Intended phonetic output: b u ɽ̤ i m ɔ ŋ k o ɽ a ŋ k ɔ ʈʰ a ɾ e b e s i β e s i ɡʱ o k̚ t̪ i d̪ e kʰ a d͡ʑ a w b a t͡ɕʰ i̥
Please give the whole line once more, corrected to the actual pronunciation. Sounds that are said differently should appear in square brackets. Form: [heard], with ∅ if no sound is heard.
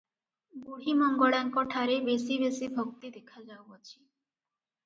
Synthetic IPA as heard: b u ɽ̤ i m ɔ ŋ [ɡ] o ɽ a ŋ k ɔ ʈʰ a ɾ e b e s i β e s i [bʱ] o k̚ t̪ i d̪ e kʰ a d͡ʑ a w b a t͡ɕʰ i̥

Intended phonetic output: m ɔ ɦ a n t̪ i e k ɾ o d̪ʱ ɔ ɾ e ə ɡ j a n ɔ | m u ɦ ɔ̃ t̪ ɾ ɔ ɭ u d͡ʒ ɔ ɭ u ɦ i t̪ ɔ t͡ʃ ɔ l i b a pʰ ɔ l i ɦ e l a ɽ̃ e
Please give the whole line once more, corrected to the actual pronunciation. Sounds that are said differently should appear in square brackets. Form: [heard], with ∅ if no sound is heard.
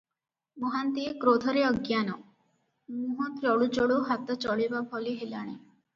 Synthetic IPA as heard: m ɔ ɦ a n t̪ i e k ɾ o d̪ʱ ɔ ɾ e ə ɡ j a n ɔ | m u ɦ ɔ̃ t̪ ɾ ɔ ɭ u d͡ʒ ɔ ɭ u ɦ [a] t̪ ɔ t͡ʃ ɔ [ɭ] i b a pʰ ɔ l i ɦ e l a ɽ̃ e

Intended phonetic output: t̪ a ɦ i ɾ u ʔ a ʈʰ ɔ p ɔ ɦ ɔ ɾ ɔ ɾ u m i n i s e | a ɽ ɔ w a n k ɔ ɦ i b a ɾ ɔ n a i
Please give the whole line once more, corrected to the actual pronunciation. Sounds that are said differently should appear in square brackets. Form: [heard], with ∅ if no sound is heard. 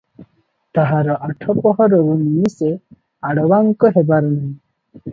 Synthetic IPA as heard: t̪ a ɦ [a] ɾ [ɔ] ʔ a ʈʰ ɔ p ɔ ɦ ɔ ɾ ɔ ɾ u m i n i s e | a ɽ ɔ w a [ŋ] k ɔ ɦ [e] b a ɾ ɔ n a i

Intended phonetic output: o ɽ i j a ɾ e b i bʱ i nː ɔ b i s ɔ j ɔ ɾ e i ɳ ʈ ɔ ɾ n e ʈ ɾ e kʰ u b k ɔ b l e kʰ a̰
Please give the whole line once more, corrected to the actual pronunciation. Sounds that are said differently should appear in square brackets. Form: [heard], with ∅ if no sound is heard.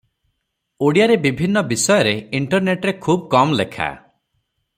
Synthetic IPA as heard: o ɽ i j a ɾ e b i bʱ i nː ɔ b i s ɔ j ɔ ɾ e i ɳ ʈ ɔ ɾ n e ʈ ɾ e kʰ u b k ɔ [m] l e kʰ a̰

